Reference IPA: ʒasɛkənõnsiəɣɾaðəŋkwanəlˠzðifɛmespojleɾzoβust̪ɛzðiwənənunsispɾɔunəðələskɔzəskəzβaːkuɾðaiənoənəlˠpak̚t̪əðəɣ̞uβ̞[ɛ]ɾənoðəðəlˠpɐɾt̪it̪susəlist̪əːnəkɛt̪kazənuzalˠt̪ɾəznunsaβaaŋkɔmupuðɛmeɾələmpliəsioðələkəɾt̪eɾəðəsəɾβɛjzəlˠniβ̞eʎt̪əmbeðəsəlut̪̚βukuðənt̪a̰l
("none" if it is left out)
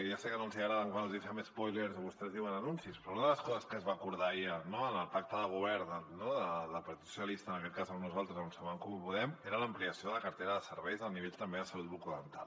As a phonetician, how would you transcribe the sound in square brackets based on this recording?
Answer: ɛ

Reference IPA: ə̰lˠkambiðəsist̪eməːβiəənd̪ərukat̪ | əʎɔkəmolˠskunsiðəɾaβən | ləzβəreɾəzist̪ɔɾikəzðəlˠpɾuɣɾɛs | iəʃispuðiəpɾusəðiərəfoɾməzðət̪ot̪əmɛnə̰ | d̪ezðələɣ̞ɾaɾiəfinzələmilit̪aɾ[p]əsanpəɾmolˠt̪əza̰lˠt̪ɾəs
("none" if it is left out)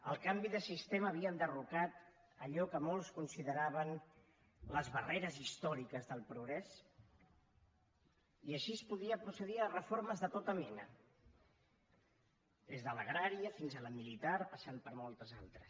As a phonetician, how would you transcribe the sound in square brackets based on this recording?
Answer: p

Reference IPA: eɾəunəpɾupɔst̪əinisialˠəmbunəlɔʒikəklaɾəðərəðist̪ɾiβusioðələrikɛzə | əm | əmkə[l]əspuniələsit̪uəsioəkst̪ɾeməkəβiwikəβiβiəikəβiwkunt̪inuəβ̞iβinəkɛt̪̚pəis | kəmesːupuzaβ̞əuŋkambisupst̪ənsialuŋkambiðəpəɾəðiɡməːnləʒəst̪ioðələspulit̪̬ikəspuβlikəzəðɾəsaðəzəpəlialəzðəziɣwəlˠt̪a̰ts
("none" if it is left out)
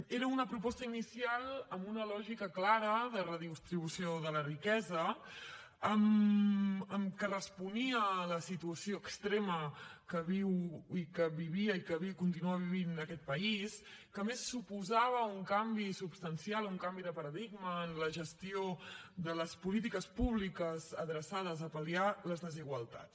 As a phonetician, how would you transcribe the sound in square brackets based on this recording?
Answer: r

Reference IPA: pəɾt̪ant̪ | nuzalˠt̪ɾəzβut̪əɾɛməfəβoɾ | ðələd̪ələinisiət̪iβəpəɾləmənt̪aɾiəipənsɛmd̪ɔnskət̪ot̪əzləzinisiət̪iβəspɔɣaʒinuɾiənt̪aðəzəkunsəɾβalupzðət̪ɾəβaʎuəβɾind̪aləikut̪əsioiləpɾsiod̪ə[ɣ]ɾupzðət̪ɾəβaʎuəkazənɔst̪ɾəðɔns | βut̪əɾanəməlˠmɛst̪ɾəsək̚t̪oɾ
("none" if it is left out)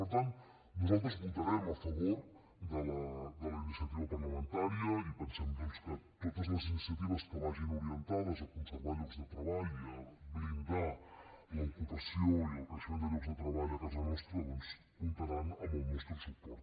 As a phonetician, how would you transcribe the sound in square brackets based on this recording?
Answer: ɣ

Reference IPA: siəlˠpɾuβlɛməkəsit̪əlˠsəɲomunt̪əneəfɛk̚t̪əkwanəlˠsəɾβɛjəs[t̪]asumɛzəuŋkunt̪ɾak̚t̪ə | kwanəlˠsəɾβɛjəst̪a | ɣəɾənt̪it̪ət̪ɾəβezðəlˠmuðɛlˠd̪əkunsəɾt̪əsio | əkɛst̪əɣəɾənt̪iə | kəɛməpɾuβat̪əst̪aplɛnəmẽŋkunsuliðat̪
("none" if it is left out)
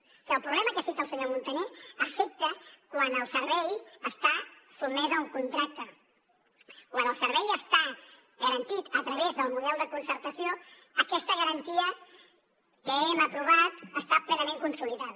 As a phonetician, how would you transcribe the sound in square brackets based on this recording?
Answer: t̪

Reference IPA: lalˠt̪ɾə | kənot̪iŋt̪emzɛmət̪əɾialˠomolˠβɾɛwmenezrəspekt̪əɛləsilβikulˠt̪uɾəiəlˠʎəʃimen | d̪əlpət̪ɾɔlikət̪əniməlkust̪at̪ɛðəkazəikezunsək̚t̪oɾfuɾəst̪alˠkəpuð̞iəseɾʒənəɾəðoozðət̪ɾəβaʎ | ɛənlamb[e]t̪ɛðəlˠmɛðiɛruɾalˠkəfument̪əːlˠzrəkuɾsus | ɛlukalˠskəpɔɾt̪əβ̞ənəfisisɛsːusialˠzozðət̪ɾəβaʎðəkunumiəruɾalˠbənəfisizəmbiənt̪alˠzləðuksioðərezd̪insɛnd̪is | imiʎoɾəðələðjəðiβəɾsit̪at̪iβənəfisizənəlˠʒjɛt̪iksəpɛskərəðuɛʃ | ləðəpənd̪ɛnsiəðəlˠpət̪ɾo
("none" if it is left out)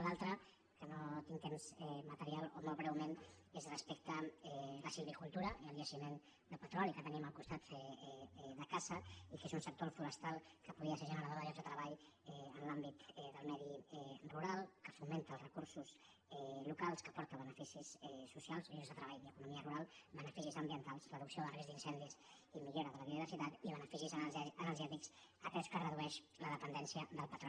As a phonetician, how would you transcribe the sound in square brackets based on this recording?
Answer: i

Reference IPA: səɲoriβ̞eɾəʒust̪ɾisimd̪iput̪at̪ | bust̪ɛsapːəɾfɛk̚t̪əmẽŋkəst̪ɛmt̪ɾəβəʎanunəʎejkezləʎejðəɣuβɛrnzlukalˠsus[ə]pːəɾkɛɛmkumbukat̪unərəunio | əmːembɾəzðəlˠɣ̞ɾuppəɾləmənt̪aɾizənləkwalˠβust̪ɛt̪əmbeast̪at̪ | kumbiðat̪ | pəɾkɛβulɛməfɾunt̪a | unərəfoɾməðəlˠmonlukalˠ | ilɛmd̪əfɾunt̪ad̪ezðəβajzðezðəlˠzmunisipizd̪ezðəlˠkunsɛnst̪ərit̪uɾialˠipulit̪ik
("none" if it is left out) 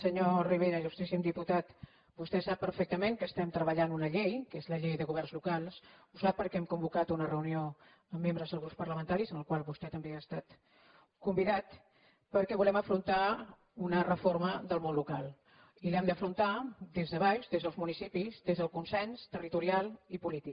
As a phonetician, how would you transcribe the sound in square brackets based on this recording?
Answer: a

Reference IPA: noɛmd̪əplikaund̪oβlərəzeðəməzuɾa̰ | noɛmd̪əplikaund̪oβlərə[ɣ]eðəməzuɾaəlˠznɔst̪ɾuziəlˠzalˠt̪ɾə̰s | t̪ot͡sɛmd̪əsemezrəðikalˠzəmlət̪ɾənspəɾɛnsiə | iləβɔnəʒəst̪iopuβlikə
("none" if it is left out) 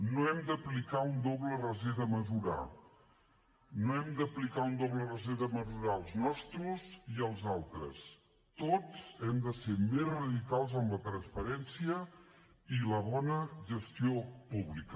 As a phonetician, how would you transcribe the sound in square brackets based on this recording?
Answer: z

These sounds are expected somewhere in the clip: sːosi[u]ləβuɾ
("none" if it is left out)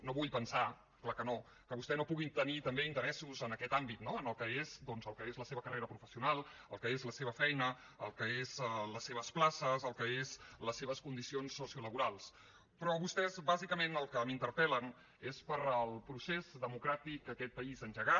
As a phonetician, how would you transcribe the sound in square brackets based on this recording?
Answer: u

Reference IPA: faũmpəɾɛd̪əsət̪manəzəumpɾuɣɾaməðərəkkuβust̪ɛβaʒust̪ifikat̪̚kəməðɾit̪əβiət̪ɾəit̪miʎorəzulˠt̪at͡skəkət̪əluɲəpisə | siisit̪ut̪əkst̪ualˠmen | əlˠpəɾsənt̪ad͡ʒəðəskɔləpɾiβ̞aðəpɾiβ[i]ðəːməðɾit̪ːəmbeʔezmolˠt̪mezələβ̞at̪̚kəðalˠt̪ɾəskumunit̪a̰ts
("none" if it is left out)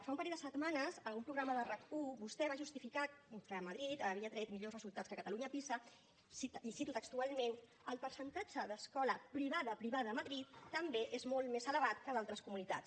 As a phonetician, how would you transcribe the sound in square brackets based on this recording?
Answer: a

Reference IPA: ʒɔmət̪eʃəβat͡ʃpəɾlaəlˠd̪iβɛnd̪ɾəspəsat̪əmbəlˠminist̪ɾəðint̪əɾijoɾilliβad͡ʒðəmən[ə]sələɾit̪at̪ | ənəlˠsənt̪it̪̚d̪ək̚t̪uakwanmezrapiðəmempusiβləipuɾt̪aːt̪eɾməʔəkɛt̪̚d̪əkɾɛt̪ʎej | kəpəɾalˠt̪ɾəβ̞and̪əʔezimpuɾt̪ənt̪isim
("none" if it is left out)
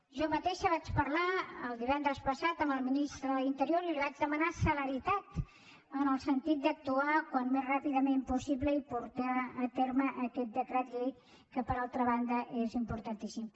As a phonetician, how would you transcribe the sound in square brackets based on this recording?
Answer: a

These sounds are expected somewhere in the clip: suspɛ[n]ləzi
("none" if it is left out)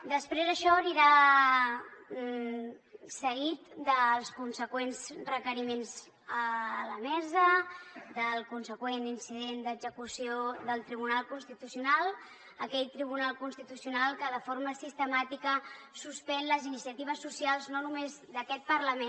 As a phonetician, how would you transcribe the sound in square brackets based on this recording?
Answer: n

